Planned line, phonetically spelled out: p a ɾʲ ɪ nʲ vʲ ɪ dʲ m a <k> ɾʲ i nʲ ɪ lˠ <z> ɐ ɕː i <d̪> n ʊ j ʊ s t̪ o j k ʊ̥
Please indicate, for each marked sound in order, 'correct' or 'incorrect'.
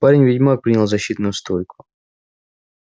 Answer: incorrect: p, correct, incorrect: t̪

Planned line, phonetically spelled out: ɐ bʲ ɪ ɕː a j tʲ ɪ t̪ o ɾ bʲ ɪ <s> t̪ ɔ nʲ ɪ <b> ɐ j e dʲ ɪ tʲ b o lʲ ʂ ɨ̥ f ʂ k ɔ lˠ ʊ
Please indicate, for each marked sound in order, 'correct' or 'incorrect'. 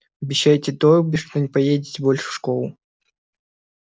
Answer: incorrect: ʂ, incorrect: p

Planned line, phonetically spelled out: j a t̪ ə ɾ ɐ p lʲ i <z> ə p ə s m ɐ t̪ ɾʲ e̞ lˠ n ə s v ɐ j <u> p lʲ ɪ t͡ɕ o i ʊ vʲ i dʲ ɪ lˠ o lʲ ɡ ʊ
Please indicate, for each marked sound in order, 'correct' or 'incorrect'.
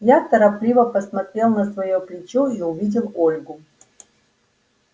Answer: incorrect: v, incorrect: o

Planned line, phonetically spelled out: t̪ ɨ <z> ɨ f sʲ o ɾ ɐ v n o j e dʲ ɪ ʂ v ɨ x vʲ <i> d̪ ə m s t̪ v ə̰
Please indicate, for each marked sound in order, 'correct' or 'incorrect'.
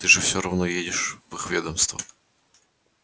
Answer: incorrect: ʐ, incorrect: e

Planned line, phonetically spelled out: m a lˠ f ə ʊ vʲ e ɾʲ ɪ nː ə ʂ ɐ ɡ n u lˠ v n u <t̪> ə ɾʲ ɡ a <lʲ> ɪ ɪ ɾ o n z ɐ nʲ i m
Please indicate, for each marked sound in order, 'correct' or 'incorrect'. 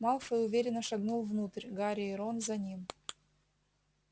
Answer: correct, incorrect: ɾʲ

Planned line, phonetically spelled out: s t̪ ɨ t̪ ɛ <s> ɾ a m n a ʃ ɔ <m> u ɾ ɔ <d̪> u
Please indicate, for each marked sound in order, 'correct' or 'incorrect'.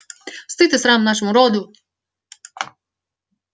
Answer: correct, correct, correct

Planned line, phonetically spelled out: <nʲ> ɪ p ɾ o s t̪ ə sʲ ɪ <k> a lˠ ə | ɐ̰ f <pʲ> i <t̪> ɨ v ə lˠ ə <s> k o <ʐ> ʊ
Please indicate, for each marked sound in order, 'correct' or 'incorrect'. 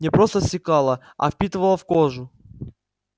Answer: correct, correct, correct, correct, incorrect: f, correct

